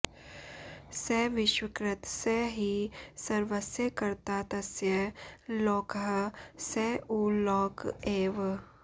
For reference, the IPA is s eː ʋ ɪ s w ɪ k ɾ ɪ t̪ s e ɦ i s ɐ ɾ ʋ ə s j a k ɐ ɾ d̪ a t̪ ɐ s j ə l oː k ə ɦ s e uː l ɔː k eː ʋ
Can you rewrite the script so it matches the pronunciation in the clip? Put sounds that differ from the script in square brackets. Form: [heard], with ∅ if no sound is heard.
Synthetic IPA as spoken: s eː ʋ ɪ [ʃ] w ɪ k ɾ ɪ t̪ s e ɦ i s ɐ ɾ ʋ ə s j [ə] k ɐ ɾ [t̪] a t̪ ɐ s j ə l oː k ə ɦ s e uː l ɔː k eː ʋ